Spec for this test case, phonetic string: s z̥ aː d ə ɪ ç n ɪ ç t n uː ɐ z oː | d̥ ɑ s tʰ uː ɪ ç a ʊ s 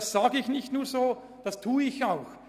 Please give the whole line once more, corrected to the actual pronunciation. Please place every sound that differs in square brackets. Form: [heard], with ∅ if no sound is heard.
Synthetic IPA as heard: s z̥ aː [ɡ] ə ɪ ç n ɪ ç t n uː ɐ z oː | d̥ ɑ s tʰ uː ɪ ç a ʊ [x]